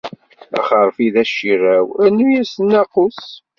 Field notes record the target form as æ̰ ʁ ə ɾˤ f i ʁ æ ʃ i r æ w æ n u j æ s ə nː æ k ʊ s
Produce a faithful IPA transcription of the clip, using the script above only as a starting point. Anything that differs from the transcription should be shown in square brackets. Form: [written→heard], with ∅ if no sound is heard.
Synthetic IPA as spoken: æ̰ [ʁ→χ] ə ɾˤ f i [ʁ→ð] æ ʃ i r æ w æ n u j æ s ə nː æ [k→q] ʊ s